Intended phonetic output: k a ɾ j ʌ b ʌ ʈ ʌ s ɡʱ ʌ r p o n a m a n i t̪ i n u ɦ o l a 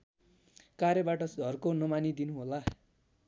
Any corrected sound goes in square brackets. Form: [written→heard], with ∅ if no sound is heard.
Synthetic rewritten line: k a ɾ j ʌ b [ʌ→a] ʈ ʌ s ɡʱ ʌ r [p→k] o n [a→ʌ] m a n i [t̪→d̪] i n u ɦ o l a